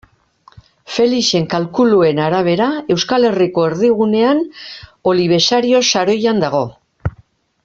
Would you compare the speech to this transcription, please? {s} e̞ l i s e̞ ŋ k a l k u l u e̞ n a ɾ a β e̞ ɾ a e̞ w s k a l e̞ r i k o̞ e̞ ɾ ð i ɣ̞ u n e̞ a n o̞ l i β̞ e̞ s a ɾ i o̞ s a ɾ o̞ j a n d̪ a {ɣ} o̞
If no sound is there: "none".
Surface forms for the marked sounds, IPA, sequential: f, ɣ

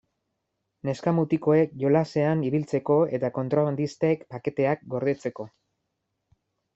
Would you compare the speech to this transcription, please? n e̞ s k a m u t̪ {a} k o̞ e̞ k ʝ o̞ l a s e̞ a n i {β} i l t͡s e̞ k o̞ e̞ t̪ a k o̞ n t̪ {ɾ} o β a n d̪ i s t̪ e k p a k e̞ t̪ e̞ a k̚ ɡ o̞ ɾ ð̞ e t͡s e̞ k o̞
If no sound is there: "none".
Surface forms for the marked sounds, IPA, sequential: i, β, ɾ

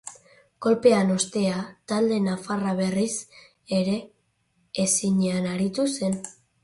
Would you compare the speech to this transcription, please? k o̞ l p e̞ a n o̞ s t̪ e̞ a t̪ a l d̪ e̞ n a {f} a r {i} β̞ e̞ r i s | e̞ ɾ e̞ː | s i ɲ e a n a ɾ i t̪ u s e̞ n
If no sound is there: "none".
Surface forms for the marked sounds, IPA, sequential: f, a

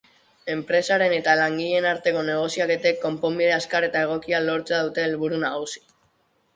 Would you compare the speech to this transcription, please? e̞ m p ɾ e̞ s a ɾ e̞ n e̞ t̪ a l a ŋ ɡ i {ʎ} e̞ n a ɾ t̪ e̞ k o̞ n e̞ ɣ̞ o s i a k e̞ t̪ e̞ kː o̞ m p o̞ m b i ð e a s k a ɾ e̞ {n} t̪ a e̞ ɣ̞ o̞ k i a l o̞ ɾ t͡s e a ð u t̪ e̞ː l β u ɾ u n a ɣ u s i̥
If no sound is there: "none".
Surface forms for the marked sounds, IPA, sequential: ʎ, none

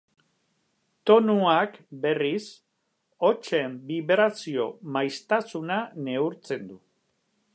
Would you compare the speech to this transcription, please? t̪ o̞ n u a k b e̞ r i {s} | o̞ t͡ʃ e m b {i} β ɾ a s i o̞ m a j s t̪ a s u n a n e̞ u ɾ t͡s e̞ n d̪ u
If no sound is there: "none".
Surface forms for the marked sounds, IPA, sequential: s, i

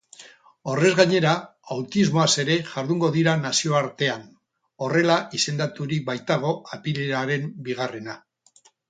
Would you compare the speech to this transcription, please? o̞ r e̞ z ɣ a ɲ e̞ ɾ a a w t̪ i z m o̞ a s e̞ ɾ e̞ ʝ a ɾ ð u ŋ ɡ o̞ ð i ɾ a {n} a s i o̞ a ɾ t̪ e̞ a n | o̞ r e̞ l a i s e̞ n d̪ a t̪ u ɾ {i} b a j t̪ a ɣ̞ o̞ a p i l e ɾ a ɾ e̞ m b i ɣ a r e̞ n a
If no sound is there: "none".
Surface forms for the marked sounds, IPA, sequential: n, i

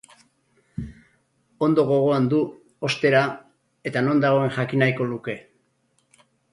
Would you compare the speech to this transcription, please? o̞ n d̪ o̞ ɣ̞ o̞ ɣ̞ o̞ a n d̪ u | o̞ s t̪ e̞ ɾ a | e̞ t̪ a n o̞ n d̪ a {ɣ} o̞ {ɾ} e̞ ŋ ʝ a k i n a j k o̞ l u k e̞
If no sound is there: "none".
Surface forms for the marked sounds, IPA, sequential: ɣ, none

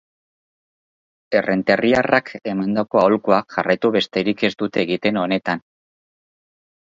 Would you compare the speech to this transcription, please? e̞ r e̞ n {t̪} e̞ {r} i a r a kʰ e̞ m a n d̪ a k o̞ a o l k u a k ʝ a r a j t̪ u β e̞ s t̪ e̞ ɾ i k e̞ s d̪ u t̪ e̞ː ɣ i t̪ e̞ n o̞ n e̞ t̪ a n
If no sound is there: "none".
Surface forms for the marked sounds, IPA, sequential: t̪, r

